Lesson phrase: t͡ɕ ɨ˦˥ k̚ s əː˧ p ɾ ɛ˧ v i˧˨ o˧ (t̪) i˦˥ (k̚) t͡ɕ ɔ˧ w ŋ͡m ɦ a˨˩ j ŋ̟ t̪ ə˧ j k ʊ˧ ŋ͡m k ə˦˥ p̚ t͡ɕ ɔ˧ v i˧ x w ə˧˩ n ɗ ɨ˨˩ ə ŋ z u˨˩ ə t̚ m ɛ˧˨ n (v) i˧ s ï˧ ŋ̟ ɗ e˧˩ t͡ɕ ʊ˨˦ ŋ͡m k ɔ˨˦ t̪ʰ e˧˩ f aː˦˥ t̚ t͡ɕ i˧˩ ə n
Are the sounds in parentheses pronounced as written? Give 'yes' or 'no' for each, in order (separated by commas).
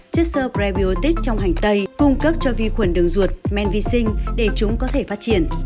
yes, yes, yes